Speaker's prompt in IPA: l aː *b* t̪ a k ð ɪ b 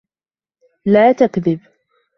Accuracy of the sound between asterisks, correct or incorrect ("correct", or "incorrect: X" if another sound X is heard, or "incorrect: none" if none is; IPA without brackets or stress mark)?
incorrect: none